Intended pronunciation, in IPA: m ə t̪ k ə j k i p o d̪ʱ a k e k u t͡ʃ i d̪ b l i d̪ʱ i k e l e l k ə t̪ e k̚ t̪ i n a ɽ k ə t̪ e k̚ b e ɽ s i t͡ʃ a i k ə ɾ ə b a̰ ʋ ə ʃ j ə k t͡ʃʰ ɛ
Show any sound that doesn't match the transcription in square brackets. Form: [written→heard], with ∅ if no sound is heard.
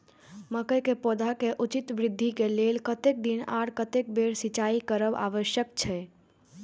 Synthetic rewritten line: m ə [t̪→∅] k ə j k [i→e] p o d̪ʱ a k e [k→ʔ] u t͡ʃ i [d̪→t̪] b [l→ɾ] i [d̪ʱ→d̪ʱː] i k e l e l k ə t̪ e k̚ [t̪→d̪] i n a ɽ k ə t̪ e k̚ b e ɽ s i t͡ʃ a i k ə ɾ ə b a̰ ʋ ə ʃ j ə k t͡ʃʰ ɛ